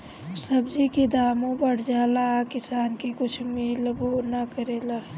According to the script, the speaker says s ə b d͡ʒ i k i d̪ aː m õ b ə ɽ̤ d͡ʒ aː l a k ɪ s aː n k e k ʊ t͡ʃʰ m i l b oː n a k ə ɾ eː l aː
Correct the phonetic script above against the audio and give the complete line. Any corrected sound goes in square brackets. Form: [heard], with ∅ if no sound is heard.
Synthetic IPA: s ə b d͡ʒ i k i d̪ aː m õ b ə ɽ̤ d͡ʒ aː l a k ɪ s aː n k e k ʊ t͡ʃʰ m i l b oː n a k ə ɾ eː l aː